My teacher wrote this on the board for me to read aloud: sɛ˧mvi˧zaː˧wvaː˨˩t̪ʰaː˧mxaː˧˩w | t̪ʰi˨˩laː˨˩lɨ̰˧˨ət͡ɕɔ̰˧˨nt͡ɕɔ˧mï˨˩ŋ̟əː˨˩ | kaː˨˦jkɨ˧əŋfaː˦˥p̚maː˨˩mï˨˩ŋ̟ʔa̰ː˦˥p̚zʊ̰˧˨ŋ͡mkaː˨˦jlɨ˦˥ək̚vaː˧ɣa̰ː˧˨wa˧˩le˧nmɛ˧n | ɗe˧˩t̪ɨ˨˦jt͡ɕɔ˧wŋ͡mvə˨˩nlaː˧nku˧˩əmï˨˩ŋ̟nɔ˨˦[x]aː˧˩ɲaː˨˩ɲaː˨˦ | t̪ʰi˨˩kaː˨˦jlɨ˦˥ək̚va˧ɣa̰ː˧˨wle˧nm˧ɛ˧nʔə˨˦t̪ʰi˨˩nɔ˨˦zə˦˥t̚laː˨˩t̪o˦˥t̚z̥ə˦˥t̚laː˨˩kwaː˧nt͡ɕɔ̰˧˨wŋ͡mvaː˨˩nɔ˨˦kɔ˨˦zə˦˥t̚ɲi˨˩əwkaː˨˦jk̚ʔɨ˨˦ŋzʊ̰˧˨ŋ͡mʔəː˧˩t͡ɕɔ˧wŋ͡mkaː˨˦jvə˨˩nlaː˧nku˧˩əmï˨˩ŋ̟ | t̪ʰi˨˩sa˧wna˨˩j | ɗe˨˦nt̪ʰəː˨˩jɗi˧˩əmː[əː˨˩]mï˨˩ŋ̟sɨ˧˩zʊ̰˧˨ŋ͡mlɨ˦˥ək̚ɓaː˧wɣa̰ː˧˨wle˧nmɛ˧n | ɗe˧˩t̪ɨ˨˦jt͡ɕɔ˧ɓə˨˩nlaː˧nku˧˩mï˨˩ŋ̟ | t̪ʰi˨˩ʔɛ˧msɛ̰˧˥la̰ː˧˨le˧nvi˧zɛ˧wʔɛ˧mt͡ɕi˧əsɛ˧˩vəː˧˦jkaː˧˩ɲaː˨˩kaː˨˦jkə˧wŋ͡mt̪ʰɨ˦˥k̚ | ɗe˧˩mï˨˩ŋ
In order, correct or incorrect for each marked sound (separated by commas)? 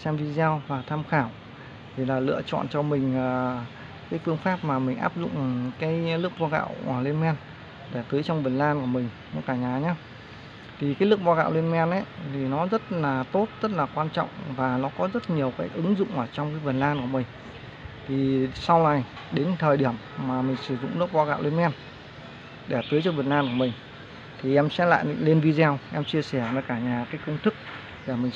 incorrect, incorrect